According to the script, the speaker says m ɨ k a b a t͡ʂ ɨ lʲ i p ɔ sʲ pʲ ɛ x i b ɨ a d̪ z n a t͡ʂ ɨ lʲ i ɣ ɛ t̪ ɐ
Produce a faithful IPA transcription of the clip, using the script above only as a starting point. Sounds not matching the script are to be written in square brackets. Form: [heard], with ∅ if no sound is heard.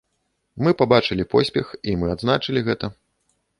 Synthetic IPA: m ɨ [p] a b a t͡ʂ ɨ lʲ i p ɔ sʲ pʲ ɛ x i [m] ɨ a d̪ z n a t͡ʂ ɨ lʲ i ɣ ɛ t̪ ɐ